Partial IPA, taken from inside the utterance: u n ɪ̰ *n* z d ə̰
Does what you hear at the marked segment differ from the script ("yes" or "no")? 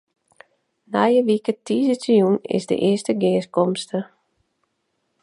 yes